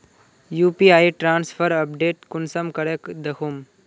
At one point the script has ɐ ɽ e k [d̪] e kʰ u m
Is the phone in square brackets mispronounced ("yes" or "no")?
no